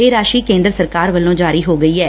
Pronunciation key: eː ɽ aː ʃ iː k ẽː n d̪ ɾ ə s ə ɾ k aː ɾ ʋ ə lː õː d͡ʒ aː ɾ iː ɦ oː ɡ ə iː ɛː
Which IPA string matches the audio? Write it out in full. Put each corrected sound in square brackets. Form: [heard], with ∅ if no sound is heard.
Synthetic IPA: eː [ɾ] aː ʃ iː k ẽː n d̪ ɾ ə s ə ɾ k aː ɾ ʋ ə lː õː d͡ʒ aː ɾ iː ɦ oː ɡ ə iː ɛː